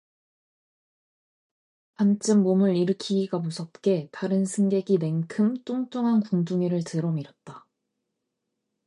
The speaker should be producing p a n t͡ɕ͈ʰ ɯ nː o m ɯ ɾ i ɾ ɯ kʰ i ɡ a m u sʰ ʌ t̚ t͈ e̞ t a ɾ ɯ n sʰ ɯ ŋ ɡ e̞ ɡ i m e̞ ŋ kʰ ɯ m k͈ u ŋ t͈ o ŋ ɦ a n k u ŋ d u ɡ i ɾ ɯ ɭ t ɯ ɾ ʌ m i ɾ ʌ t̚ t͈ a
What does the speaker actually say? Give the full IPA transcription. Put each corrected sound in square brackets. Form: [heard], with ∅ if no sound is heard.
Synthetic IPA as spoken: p a n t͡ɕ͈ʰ ɯ [mː] o m ɯ ɾ i ɾ ɯ kʰ i ɡ a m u sʰ ʌ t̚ [k͈] e̞ t a ɾ ɯ n sʰ ɯ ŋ ɡ e̞ ɡ i [n] e̞ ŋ kʰ ɯ m [t͈] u ŋ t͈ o ŋ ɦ a n k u ŋ d u [ŋ] i ɾ ɯ ɭ t ɯ ɾ ʌ m i ɾ ʌ t̚ t͈ a